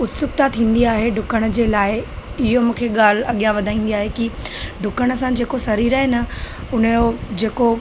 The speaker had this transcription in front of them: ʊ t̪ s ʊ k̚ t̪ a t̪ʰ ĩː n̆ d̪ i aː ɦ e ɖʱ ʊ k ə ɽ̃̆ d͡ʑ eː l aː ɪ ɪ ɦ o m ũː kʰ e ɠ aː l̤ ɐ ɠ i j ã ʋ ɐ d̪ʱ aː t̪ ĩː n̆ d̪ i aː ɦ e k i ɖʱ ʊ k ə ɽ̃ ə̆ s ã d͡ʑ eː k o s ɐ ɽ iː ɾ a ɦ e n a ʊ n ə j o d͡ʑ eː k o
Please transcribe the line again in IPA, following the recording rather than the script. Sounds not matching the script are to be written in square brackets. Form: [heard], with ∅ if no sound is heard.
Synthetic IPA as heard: ʊ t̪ s ʊ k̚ t̪ a t̪ʰ ĩː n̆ d̪ i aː ɦ e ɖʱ ʊ k ə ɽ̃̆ d͡ʑ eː l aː ɪ ɪ ɦ o m ũː kʰ e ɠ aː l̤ ɐ ɠ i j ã ʋ ɐ d̪ʱ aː [∅] ĩː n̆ d̪ i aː ɦ e k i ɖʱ ʊ k ə ɽ̃ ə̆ s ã d͡ʑ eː k o s ɐ [ɾ] iː ɾ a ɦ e n [ɐ] ʊ n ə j o d͡ʑ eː k o

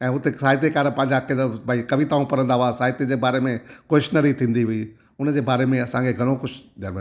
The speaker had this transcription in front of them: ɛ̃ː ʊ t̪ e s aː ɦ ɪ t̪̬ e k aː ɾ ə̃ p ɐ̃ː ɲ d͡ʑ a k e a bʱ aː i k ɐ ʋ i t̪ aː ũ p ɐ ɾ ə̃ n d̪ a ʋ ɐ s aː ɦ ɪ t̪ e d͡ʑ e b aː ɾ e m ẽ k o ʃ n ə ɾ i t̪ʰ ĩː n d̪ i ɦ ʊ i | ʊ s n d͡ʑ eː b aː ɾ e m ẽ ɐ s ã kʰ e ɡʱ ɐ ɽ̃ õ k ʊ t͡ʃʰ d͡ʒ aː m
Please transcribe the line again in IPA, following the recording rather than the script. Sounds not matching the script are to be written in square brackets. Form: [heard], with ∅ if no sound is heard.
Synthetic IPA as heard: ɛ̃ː ʊ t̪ e s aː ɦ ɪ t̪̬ e k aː ɾ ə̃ p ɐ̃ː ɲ d͡ʑ a k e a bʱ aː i k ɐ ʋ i t̪ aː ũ p ɐ ɾ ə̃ n d̪ a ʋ [a] s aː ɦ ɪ t̪ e d͡ʑ e b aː ɾ e m ẽ k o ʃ n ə ɾ i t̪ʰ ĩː n d̪ i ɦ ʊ i | ʊ [∅] n d͡ʑ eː b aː ɾ e m ẽ ɐ s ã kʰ e ɡʱ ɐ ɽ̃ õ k ʊ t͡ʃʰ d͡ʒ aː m

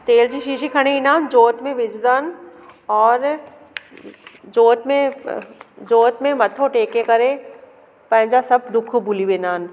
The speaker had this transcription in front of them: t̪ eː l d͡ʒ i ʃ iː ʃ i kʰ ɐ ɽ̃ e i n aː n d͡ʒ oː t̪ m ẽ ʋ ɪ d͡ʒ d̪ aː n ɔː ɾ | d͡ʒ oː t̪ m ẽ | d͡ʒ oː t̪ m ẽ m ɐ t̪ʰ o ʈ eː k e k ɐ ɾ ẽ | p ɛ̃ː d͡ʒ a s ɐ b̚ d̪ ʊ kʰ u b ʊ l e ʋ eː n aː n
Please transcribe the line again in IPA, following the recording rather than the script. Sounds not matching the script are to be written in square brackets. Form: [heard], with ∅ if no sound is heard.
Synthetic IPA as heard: t̪ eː l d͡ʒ i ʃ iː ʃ i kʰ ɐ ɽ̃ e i n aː n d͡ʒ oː t̪ m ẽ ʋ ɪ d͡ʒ d̪ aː n ɔː ɾ | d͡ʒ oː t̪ m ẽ | d͡ʒ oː t̪ m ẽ m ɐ t̪ʰ o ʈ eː k e k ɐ ɾ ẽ | p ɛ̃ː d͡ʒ a s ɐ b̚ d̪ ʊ kʰ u b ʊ l [i] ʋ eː n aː n

